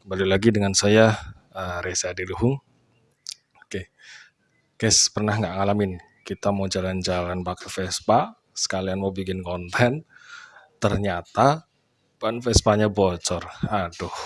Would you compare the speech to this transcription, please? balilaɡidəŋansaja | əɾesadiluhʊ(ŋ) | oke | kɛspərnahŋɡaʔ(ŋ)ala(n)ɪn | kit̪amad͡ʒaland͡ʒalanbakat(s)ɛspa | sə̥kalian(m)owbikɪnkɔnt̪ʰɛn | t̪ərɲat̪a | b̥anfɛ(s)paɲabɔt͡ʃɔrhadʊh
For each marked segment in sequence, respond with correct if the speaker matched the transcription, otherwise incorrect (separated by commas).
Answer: correct, correct, incorrect, incorrect, correct, correct